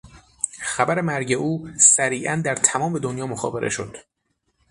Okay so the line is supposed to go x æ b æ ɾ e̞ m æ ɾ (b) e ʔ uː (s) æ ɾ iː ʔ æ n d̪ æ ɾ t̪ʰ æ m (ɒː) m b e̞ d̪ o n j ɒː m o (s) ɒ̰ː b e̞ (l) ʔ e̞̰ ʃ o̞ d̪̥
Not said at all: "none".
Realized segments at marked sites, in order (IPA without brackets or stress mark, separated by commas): ɟ, s, ɒː, x, ɾ